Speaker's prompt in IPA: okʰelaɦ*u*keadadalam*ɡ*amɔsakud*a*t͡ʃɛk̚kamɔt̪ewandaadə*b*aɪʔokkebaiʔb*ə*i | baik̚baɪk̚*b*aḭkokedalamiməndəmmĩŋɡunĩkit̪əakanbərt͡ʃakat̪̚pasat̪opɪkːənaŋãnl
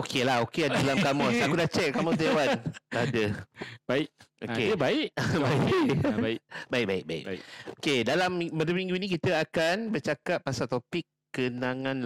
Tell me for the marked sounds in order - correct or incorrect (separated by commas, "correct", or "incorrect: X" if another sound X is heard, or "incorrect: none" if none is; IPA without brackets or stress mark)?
incorrect: o, incorrect: k, correct, correct, incorrect: a, correct